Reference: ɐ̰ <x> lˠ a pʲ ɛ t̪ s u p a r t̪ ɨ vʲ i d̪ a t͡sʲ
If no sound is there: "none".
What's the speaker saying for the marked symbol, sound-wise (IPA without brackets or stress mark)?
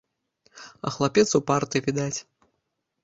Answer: x